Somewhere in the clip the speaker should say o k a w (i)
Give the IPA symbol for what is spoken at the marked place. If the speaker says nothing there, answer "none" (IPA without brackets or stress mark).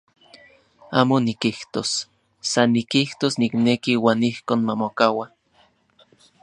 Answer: a